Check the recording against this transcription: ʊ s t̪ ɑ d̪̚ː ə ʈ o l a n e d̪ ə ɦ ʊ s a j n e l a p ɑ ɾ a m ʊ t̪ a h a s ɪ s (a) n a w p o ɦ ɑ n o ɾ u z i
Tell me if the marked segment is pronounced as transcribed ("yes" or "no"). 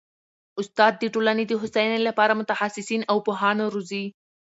no